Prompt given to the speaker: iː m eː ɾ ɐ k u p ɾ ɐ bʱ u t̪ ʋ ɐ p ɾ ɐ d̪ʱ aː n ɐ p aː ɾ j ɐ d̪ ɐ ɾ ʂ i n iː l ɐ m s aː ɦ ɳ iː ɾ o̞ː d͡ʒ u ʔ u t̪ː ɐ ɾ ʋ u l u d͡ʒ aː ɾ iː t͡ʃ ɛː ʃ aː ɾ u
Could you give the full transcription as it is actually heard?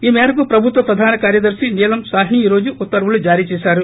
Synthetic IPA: iː m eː ɾ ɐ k u p ɾ ɐ bʱ u t̪ ʋ ɐ p ɾ ɐ d̪ʱ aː n ɐ k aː ɾ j ɐ d̪ ɐ ɾ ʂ i n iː l ɐ m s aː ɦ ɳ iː ɾ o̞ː d͡ʒ u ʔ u t̪ː ɐ ɾ ʋ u l u d͡ʒ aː ɾ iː t͡ʃ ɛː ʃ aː ɾ u